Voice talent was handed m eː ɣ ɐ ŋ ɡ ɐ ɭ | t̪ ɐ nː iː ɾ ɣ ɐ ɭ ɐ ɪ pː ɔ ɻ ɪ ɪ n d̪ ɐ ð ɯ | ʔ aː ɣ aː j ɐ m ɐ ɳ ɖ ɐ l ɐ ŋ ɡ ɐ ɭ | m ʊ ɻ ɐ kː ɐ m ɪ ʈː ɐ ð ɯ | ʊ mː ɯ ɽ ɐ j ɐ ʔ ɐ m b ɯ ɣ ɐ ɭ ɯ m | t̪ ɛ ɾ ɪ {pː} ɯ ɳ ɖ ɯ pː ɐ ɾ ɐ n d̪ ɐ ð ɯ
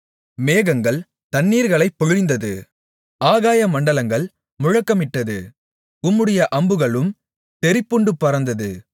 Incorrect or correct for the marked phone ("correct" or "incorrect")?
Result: correct